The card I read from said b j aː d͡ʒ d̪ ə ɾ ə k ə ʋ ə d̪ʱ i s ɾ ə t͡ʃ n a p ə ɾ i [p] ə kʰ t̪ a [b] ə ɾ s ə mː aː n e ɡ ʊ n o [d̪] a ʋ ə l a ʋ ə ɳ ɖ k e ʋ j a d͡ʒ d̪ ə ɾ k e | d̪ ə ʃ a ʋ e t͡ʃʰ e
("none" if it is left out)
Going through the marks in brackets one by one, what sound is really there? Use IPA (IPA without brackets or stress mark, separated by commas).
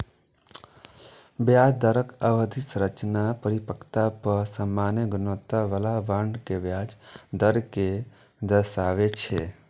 p, p, t̪